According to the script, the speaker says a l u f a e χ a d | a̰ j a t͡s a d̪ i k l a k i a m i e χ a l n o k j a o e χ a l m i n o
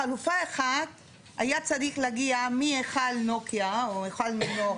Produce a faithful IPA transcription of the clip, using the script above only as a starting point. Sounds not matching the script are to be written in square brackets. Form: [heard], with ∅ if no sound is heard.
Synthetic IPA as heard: a l u f a e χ a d | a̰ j a t͡s a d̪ i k l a [ɡ] i a m i e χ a l n o k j a o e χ a l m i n o

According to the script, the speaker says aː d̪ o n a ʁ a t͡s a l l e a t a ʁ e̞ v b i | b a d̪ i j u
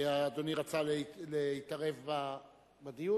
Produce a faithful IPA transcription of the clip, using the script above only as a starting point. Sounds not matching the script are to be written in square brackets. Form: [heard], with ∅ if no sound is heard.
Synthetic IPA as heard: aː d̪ o n [i] ʁ a t͡s a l l e [i] t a ʁ e̞ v b [a] | b a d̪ i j u

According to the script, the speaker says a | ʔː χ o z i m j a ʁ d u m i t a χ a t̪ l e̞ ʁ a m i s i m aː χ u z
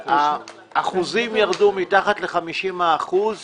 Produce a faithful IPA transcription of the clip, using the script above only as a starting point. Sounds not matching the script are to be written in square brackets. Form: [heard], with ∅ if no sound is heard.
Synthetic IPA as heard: a | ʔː χ [u] z i m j a ʁ d u m i t a χ a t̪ l e̞ [χ] a m i [ʃ] i m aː χ u z

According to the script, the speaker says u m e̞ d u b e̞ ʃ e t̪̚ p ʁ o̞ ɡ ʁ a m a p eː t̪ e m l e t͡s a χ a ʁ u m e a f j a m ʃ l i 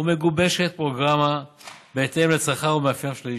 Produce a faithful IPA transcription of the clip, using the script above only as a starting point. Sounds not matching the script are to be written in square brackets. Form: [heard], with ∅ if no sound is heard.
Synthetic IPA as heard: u m e̞ [ɡ] u b e̞ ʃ e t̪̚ p ʁ o̞ ɡ ʁ a m a [b] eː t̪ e m l e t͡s a χ a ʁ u m e a f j a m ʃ l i

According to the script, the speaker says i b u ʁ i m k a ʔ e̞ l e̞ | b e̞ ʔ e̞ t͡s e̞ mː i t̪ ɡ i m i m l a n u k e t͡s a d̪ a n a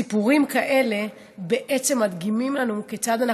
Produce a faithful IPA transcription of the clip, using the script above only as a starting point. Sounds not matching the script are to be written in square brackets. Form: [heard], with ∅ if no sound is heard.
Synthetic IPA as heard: i [p] u ʁ i m k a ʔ e̞ l e̞ | b e̞ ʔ e̞ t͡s e̞ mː [a] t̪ ɡ i m i m l a n u k e t͡s a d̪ a n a

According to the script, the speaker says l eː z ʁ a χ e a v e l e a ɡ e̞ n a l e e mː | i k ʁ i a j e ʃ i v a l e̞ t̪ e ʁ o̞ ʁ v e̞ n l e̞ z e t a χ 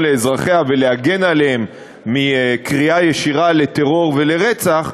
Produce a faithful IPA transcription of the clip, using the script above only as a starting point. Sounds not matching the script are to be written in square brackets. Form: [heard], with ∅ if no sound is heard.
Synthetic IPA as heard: l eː z ʁ a χ e a v e l e a ɡ e̞ n a l e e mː | i k ʁ i a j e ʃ i [ʁ] a l e̞ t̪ e ʁ o̞ ʁ v e̞ [∅] l e̞ [ʁ] e [t͡s] a χ

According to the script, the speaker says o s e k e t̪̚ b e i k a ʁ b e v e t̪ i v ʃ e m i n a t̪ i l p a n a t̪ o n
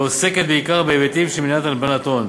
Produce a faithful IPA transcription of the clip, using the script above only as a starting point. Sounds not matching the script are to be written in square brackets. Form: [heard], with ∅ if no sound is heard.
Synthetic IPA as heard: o s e k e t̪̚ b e i k a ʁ b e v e t̪ i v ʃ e m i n a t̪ [a] l [b] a n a t̪ o n

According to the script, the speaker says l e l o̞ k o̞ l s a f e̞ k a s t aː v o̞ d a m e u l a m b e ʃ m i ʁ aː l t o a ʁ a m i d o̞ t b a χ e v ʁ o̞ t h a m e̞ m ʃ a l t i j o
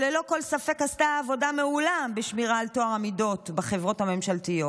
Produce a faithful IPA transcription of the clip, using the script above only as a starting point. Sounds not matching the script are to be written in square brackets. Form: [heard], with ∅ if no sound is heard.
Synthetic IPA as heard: l e l o̞ k o̞ l s a f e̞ k a s t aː v o̞ d a m e u l a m b e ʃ m i ʁ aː l t o a ʁ a m i d o̞ t b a χ e v ʁ o̞ t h a m e̞ m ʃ a l t i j o

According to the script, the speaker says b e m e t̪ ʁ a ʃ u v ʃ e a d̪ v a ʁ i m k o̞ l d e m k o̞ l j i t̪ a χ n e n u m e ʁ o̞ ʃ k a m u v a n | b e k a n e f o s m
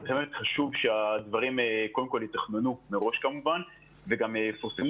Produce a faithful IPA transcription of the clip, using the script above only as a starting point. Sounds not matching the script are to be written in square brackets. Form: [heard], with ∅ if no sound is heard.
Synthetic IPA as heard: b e m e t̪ [χ] a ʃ u v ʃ e a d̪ v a ʁ i m k o̞ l d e m k o̞ l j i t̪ a χ n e n u m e ʁ o̞ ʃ k a m u v a n | [v] e [ɡ] a [m] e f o s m

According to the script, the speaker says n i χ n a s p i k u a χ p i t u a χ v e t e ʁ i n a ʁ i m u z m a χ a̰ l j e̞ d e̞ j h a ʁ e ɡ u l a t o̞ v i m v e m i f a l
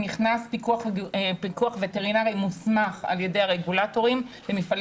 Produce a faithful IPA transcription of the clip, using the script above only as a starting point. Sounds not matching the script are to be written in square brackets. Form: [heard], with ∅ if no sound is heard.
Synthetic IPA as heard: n i χ n a s p i k u a χ p i [k] u a χ v e t e ʁ i n a ʁ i m u [s] m a χ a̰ l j e̞ d e̞ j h a ʁ e ɡ u l a t o̞ [ʁ] i m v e m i f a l

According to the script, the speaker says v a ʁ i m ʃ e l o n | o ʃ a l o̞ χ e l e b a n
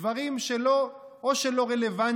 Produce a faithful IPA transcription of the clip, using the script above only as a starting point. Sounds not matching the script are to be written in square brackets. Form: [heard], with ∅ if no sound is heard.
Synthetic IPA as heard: v a ʁ i m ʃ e l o [∅] | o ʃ [e] l o̞ [ʁ] e l e [v] a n

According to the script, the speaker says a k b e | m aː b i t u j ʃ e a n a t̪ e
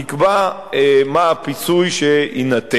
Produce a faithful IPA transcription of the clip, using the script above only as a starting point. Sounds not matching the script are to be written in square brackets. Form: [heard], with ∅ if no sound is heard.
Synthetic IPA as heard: [i] k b [a] | m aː [p] i [t͡s] u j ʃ e [i] n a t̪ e

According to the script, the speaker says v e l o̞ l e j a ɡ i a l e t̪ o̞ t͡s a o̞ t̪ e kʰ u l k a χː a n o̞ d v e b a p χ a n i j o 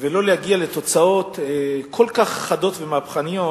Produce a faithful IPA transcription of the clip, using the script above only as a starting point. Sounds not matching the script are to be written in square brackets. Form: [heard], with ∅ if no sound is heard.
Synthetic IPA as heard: v e l o̞ l e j a ɡ i a l e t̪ o̞ t͡s a o̞ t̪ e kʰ [o] l k a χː a [d] o̞ [t] v e [m] a p χ a n i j o

